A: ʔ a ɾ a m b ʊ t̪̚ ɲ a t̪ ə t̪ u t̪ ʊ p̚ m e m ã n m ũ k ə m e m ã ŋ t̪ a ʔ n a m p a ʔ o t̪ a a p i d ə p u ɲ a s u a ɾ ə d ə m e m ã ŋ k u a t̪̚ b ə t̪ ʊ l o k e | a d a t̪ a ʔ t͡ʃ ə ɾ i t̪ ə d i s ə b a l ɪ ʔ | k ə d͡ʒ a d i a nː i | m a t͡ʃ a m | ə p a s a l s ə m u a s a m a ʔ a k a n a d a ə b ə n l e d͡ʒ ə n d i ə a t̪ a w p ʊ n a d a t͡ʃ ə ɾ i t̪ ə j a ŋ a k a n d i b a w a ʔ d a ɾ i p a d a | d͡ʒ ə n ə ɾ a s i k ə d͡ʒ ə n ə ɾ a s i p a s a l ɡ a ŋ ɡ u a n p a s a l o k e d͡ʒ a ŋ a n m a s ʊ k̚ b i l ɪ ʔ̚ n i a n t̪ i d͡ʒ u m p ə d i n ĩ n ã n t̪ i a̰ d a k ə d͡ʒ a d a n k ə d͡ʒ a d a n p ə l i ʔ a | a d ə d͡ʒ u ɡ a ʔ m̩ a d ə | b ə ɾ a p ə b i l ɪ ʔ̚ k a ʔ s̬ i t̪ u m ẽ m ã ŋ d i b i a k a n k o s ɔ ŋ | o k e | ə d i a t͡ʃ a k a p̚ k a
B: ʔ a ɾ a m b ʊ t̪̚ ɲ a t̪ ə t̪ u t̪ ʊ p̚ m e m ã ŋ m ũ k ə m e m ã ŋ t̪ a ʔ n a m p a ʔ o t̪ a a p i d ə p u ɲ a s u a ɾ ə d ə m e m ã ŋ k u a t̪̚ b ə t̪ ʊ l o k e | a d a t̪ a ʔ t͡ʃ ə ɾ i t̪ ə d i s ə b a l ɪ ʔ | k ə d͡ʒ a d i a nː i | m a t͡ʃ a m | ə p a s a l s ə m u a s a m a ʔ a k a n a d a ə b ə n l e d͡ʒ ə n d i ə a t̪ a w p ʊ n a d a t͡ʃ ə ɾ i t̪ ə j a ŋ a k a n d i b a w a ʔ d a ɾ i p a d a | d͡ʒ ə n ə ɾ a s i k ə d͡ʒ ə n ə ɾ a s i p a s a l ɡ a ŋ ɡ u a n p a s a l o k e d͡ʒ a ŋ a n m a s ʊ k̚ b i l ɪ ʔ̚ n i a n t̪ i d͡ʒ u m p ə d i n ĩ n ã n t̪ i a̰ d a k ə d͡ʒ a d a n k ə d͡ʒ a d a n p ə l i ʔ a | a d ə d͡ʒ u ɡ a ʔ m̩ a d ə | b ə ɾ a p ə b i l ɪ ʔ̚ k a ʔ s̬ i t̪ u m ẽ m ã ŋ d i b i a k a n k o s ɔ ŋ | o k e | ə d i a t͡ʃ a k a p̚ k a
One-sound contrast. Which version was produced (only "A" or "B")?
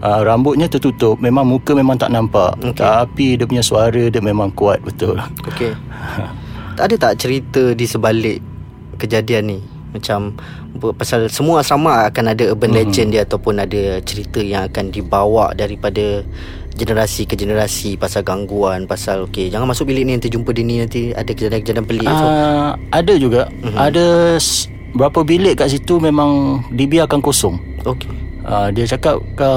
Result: B